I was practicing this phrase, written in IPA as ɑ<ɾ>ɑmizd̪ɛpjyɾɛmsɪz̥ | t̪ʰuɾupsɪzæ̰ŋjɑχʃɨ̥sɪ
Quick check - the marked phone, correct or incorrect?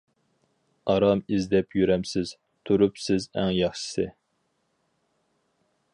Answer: correct